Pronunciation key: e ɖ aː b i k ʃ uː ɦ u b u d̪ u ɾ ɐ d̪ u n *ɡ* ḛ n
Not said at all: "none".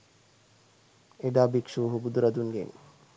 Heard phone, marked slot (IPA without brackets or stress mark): ɡ